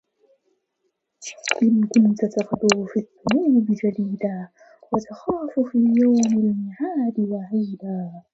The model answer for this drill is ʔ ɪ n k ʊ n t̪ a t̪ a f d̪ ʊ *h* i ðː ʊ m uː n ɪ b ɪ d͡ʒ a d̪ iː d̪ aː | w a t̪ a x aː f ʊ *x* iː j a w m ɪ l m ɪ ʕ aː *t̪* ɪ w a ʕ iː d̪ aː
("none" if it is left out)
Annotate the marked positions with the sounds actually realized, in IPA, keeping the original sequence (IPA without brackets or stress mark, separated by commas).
f, f, d̪